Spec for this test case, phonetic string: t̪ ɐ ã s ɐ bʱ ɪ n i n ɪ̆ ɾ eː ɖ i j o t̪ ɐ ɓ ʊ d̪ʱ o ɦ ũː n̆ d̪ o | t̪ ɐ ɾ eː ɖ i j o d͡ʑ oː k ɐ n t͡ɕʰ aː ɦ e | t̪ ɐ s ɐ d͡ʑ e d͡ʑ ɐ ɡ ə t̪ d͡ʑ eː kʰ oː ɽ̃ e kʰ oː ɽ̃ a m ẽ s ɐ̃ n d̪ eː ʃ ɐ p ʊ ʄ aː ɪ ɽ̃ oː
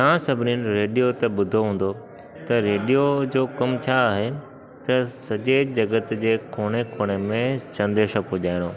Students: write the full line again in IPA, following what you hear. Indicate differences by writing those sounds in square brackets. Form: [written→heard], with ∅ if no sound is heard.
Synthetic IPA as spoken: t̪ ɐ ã s ɐ bʱ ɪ n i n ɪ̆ ɾ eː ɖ i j o t̪ ɐ ɓ ʊ d̪ʱ o ɦ ũː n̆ d̪ o | t̪ ɐ ɾ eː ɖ i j o d͡ʑ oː k ɐ [n→m] t͡ɕʰ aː ɦ e | t̪ ɐ s ɐ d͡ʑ e d͡ʑ ɐ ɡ ə t̪ d͡ʑ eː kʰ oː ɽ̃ e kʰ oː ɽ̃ [a→e] m ẽ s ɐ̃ n d̪ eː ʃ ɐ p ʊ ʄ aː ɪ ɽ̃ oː